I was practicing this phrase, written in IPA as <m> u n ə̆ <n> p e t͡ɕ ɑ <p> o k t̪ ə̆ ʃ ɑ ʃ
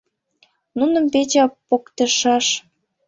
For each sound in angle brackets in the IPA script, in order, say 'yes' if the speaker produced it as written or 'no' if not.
no, no, yes

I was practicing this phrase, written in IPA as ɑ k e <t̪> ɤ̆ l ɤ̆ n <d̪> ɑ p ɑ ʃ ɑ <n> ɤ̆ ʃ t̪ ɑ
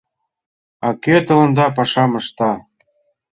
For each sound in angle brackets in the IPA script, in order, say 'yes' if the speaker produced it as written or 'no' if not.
yes, yes, no

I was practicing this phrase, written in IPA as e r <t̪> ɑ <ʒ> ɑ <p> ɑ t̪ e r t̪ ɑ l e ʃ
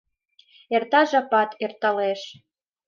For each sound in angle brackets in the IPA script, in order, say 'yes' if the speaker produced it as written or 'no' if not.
yes, yes, yes

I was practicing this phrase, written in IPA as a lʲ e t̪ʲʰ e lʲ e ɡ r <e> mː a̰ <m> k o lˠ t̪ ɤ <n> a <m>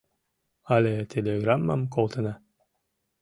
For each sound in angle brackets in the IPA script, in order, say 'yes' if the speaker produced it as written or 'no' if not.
no, yes, yes, no

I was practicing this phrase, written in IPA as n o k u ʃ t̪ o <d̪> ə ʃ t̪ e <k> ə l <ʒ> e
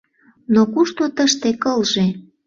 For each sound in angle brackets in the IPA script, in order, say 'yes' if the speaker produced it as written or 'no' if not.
no, yes, yes

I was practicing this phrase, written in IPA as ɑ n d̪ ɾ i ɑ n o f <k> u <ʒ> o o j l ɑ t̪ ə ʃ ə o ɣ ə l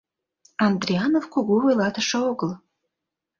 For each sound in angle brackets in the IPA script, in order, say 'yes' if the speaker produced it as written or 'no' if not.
yes, no

